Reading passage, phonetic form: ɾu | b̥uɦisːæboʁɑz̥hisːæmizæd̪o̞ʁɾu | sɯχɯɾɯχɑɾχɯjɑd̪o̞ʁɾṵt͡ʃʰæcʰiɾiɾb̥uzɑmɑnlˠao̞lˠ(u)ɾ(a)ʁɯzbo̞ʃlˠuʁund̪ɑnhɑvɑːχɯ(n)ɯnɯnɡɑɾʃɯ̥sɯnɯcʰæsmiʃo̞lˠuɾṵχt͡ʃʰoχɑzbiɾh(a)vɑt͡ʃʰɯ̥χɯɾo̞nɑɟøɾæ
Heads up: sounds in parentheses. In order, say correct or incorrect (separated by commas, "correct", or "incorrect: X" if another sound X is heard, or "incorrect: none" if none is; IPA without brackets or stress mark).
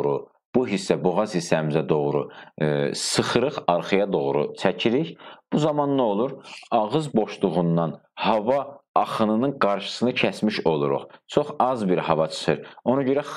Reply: correct, incorrect: ɑ, correct, incorrect: ɑ